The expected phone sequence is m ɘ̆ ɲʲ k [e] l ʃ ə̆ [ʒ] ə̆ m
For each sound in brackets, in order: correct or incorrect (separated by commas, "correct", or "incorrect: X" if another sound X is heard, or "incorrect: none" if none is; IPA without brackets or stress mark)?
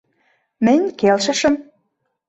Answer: correct, incorrect: ʃ